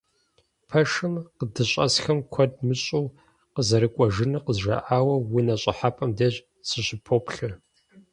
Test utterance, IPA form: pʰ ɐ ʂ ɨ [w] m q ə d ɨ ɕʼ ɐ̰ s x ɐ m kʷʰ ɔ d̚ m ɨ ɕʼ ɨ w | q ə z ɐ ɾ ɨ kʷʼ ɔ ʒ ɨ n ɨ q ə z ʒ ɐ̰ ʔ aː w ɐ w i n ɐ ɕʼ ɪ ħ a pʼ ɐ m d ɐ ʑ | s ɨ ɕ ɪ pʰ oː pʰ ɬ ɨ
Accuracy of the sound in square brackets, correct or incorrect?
incorrect: none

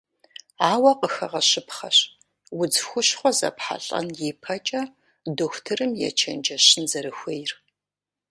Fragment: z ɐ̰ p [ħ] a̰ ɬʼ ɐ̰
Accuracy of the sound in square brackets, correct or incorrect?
correct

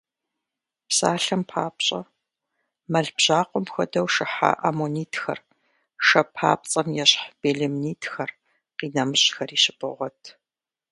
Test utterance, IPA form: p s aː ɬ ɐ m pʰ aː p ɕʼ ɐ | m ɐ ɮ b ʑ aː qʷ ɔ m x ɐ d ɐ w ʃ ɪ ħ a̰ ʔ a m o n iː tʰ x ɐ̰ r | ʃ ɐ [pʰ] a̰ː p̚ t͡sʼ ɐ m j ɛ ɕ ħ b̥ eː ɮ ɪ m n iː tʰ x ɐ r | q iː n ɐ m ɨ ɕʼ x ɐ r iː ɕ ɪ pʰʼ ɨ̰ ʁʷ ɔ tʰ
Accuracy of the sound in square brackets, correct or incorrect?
correct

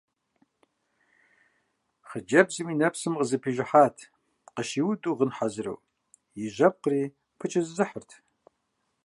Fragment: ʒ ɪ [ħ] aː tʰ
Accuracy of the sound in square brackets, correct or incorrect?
correct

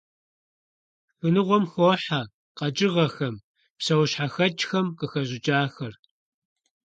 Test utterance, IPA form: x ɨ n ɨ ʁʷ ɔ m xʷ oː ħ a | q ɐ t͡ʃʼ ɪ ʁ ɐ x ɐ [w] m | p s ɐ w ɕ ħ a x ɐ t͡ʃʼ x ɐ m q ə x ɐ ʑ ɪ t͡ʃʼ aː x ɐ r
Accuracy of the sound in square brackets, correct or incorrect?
incorrect: none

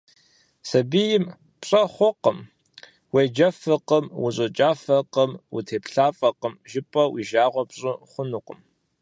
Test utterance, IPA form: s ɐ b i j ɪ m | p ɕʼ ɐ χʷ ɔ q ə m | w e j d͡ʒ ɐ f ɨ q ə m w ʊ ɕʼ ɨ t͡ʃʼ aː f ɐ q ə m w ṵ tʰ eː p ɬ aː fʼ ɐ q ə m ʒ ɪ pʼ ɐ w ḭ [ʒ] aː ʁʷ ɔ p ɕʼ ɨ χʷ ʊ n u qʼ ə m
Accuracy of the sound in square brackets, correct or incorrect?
correct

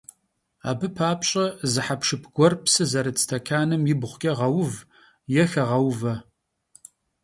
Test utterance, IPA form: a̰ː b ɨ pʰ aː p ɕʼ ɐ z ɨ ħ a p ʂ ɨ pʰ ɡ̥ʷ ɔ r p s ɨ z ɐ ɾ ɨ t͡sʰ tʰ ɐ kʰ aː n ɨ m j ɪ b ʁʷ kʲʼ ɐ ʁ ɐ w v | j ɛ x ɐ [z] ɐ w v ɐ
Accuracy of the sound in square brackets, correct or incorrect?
incorrect: ʁ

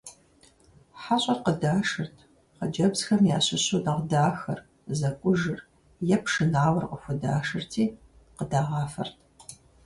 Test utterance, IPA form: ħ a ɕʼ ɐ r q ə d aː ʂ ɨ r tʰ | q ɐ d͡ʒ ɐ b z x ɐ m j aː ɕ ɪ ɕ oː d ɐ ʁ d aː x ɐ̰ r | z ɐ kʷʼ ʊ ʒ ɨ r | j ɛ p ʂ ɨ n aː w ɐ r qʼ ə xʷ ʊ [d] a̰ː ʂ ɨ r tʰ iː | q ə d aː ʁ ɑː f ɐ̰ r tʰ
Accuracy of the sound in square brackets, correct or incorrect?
correct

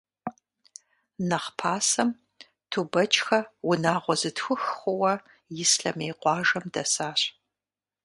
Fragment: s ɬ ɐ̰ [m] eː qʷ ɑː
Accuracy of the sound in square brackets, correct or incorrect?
correct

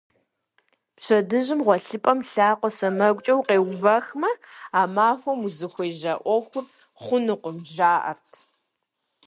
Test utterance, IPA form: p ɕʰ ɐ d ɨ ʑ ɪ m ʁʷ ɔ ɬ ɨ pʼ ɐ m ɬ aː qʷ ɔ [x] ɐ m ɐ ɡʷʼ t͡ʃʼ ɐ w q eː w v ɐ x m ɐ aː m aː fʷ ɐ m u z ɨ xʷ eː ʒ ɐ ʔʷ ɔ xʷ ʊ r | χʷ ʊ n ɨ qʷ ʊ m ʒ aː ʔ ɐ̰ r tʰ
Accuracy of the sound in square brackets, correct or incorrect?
incorrect: s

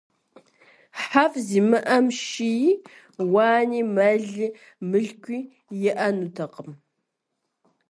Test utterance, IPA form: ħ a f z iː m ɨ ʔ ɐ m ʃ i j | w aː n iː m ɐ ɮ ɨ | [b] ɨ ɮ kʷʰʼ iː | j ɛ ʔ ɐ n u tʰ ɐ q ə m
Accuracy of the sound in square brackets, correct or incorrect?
incorrect: m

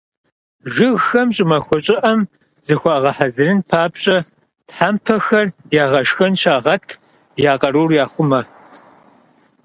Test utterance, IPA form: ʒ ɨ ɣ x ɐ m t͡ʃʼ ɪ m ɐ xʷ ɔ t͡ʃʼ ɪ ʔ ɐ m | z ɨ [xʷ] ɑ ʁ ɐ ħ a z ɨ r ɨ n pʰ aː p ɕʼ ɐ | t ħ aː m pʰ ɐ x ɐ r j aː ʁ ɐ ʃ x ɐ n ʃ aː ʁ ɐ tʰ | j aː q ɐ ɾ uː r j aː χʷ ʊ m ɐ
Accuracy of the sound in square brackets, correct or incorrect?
correct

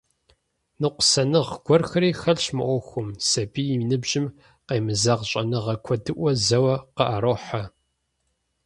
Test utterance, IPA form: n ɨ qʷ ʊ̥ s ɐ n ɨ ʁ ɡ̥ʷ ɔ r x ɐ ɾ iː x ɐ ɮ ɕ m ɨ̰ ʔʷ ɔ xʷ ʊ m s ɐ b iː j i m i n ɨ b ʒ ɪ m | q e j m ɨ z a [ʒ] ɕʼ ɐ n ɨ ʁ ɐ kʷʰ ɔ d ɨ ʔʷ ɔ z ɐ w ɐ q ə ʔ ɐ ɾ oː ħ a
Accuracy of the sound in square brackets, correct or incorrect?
incorrect: ʁ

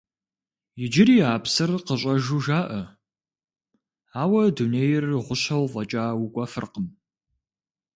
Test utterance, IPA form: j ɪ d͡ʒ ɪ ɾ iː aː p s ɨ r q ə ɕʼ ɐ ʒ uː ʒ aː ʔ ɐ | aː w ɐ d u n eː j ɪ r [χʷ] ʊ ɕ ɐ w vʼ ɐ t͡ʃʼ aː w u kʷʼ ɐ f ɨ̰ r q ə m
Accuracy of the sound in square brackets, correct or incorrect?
incorrect: ʁʷ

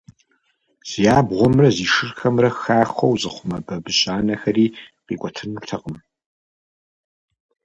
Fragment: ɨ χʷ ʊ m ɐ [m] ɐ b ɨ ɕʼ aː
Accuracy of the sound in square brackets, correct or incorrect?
incorrect: b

